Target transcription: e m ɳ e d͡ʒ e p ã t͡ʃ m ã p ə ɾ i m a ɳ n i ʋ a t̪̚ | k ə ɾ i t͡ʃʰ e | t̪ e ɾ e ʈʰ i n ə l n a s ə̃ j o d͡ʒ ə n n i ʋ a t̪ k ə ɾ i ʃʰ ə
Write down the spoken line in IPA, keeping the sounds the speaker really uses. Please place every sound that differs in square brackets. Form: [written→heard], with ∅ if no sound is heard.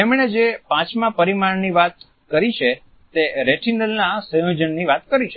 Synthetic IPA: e m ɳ e d͡ʒ e p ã t͡ʃ m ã p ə ɾ i m a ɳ n i ʋ a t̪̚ | k ə ɾ i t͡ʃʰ e | t̪ e ɾ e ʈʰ i n ə l n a s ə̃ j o d͡ʒ ə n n i ʋ a t̪ k ə ɾ i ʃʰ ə